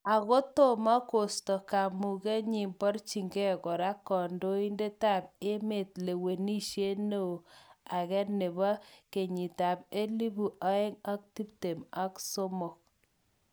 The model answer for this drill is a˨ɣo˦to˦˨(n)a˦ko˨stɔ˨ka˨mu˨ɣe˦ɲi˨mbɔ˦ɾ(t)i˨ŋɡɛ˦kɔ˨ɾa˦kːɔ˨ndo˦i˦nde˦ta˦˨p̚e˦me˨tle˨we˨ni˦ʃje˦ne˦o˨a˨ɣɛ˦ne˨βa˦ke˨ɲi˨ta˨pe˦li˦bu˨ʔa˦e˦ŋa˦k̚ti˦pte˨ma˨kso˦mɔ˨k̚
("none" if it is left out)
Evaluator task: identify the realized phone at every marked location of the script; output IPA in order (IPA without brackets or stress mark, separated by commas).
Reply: m, t͡ʃ